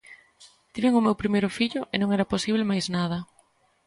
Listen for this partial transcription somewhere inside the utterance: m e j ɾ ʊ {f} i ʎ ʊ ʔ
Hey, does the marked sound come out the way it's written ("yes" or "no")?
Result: yes